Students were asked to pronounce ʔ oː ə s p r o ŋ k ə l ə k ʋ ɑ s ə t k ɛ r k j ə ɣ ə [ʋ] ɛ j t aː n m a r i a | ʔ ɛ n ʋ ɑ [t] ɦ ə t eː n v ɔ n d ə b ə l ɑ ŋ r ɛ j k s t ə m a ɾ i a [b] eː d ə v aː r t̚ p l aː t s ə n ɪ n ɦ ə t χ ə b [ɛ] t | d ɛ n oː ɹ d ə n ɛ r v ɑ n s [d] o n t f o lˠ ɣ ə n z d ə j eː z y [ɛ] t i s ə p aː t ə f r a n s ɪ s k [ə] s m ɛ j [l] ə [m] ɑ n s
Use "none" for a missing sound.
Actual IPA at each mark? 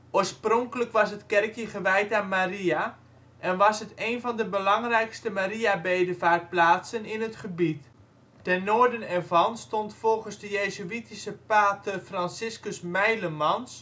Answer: ʋ, s, b, i, t, i, ə, l, m

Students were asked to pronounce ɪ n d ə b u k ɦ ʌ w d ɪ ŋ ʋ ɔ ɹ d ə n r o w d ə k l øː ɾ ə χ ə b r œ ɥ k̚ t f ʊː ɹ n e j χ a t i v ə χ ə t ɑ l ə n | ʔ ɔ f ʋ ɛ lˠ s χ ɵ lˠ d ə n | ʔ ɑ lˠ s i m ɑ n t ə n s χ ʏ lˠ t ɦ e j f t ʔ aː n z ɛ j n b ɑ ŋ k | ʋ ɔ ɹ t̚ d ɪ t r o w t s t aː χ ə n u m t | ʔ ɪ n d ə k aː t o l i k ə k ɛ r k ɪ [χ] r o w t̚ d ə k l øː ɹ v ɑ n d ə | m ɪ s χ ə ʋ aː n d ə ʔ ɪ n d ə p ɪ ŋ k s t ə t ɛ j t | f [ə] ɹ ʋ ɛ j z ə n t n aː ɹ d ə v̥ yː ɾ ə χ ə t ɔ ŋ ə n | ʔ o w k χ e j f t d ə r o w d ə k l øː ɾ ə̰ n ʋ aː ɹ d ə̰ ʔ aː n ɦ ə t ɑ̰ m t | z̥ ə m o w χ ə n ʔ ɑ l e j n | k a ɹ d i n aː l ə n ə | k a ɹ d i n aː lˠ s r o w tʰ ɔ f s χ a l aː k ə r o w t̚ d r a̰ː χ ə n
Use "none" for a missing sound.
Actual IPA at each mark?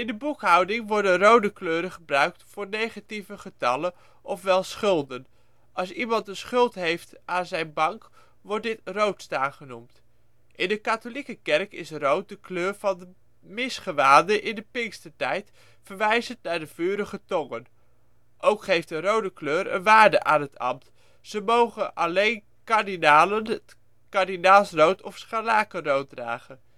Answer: s, ə

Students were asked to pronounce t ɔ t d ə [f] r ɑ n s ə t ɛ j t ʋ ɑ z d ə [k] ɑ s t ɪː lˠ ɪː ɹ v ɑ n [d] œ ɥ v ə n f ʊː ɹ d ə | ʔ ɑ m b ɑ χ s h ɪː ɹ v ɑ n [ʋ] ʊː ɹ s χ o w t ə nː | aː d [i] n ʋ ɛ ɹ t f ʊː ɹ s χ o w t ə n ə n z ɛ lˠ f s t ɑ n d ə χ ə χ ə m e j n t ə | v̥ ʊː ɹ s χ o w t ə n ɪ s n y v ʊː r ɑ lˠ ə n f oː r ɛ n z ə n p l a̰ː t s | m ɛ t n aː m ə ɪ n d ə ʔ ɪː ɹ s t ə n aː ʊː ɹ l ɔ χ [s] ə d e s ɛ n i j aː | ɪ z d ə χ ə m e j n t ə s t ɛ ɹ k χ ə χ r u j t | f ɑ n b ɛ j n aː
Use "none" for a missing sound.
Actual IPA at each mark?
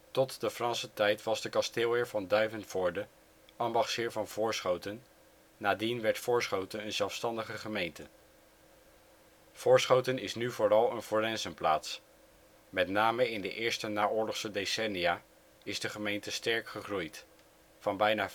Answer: f, k, d, v, i, s

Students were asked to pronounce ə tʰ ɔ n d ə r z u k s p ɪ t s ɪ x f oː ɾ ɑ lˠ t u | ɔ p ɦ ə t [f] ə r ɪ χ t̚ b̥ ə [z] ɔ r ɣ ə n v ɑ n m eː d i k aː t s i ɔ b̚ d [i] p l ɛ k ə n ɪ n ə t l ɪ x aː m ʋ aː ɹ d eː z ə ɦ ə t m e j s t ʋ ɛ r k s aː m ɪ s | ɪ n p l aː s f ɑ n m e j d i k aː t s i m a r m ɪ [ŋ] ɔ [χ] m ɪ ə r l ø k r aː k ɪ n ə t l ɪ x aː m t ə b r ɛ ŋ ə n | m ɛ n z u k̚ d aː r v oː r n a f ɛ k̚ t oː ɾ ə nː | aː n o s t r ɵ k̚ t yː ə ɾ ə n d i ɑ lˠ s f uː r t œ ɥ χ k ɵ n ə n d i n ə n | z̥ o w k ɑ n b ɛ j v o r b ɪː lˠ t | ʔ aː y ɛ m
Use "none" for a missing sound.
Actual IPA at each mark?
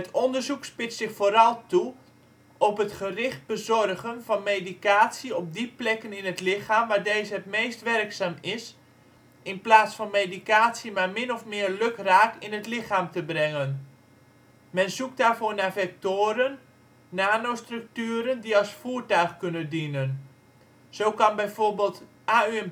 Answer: χ, z, i, n, f

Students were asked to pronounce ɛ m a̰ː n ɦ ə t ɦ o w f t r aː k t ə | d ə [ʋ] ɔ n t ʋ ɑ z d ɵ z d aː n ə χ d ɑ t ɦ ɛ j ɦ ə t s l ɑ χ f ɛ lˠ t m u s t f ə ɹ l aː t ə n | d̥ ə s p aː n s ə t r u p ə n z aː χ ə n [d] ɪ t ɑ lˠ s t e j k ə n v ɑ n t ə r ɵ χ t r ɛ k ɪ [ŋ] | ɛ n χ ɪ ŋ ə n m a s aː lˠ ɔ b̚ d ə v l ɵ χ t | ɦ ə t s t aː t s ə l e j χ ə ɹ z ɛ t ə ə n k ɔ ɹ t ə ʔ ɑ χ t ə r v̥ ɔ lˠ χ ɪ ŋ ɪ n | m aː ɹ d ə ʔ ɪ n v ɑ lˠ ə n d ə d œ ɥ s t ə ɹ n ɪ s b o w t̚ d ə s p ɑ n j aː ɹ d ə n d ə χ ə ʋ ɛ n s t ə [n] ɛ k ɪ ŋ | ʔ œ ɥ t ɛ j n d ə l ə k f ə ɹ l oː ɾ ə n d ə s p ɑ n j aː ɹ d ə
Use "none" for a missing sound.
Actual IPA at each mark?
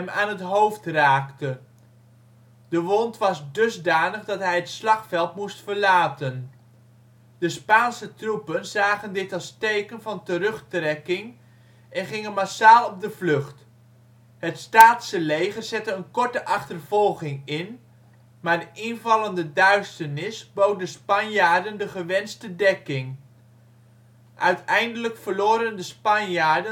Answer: ʋ, d, ŋ, d

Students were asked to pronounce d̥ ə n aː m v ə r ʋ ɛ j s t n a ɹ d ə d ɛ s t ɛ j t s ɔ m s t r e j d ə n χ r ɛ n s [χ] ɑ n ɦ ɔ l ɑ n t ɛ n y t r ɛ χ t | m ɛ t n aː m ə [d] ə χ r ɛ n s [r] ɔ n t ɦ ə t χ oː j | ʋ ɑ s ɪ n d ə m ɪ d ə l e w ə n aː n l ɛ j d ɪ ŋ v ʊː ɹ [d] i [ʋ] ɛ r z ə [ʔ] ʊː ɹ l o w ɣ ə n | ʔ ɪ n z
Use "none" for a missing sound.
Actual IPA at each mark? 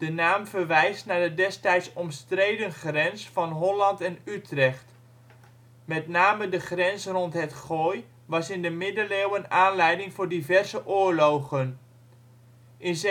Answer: f, d, r, d, v, ʔ

